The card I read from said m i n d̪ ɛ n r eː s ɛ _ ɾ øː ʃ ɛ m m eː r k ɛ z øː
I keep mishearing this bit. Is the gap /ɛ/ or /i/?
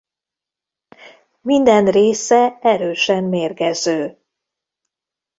ɛ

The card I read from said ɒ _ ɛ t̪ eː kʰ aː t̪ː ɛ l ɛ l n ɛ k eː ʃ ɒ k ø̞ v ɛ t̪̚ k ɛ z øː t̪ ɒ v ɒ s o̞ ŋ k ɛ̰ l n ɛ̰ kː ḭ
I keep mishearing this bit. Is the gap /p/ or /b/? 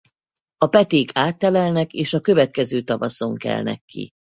p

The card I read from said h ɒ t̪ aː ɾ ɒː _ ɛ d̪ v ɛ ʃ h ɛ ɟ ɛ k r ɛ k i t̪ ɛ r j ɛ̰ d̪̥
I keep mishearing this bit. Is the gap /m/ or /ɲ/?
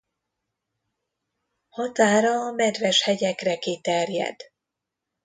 m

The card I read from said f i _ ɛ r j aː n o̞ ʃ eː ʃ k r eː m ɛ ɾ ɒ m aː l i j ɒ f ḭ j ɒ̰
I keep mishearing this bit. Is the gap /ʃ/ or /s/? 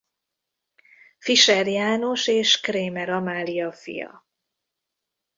ʃ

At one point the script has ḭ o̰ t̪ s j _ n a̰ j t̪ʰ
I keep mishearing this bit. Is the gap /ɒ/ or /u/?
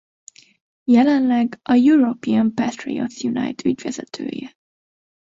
u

